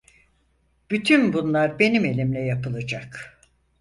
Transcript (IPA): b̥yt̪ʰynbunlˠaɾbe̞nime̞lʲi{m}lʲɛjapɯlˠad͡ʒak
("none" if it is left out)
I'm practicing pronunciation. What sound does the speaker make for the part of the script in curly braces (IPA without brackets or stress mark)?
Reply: m